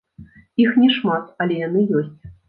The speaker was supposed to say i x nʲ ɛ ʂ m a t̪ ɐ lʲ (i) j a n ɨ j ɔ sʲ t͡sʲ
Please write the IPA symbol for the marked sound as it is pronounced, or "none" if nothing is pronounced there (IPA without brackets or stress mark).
ɛ